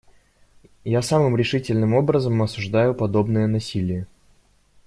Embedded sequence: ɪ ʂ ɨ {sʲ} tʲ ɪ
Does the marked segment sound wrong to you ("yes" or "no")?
yes